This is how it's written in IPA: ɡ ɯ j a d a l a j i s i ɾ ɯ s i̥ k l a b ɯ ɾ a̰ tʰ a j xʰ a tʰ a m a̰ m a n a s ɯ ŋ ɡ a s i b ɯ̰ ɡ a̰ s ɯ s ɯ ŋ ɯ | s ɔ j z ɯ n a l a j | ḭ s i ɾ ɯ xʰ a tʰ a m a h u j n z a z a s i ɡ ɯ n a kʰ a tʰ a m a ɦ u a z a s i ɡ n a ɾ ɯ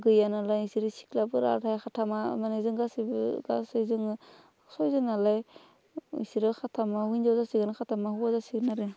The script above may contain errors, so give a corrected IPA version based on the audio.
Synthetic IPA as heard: ɡ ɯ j a n a l a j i s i ɾ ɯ s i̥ k l a b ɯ ɾ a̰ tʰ a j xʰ a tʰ a m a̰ m a n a z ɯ ŋ ɡ a s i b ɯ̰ ɡ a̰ s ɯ z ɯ ŋ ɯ | s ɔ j z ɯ n a l a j | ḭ s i ɾ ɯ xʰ a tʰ a m a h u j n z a z a s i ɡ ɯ n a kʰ a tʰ a m a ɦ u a z a s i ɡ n a ɾ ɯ